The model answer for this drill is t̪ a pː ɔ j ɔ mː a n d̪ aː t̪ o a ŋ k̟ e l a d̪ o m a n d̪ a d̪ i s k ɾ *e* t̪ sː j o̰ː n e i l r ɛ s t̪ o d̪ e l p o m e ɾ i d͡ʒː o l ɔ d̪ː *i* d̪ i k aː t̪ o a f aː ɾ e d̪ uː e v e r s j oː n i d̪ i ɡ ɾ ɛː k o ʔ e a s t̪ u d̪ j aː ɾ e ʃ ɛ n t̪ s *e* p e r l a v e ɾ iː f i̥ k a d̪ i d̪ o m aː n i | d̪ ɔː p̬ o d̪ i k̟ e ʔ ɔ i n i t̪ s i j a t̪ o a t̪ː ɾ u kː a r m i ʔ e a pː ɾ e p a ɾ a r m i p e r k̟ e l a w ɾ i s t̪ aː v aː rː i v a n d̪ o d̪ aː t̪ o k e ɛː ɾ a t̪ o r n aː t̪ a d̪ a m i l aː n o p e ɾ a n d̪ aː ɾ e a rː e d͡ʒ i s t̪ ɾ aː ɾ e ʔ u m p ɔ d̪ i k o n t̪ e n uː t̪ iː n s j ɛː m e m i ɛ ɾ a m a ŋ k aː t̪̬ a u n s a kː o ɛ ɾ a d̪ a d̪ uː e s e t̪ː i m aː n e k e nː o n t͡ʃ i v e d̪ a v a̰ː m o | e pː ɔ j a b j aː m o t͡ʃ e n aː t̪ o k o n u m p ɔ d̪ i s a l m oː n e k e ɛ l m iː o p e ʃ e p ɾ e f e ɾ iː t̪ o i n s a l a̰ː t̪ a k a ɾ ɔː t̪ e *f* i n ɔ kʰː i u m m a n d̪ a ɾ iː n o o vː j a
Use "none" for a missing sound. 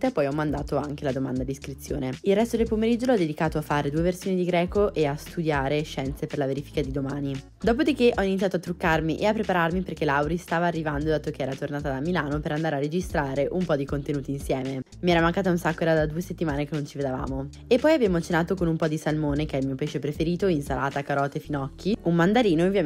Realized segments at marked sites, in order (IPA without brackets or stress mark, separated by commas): i, e, e, f